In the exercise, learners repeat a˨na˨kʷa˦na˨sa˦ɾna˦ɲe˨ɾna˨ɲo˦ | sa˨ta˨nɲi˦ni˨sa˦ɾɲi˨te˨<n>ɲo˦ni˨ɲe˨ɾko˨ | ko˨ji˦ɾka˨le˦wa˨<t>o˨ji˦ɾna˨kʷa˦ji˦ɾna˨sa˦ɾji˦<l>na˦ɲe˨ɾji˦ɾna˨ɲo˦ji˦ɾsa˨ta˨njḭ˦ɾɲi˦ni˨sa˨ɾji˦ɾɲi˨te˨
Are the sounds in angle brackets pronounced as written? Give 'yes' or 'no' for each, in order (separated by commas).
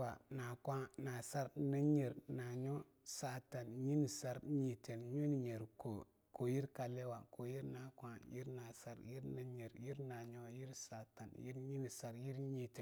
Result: yes, no, no